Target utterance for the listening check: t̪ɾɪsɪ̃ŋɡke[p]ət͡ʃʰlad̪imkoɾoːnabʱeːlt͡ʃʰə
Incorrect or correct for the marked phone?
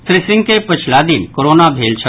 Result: correct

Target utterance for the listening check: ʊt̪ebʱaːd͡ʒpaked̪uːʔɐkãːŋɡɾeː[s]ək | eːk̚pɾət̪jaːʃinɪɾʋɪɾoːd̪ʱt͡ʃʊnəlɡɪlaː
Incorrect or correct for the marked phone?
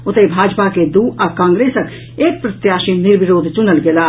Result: correct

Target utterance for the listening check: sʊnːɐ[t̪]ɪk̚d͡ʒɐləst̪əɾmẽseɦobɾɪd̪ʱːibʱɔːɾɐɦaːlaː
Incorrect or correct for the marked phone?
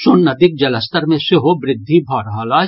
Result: incorrect: d̪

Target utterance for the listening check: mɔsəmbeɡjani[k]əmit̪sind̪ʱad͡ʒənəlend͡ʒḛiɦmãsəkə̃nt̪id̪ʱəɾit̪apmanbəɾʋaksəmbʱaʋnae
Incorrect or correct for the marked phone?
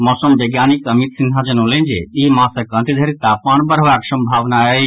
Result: correct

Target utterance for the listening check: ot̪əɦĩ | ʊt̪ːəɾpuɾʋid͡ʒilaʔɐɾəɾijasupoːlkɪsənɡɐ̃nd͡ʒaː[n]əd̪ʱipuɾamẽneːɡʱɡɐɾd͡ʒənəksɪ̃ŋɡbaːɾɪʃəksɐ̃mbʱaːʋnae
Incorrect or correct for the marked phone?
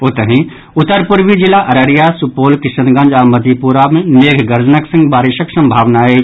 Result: incorrect: m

